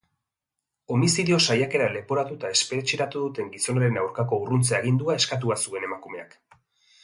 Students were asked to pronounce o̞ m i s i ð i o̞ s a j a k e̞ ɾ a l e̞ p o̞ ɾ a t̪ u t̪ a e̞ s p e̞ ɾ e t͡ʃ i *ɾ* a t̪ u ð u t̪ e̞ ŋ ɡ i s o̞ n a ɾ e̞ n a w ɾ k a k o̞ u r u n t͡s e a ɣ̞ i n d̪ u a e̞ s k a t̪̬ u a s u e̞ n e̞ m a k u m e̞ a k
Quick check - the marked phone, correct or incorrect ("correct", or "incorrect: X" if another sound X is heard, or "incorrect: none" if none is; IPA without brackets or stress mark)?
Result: correct